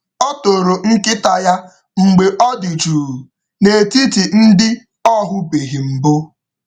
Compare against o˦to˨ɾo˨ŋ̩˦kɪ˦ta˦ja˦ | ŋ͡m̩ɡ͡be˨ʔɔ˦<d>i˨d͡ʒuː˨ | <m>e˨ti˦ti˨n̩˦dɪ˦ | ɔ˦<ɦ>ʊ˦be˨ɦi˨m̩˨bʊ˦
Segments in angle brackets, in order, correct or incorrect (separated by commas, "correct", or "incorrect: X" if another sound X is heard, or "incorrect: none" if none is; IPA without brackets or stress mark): correct, incorrect: n, correct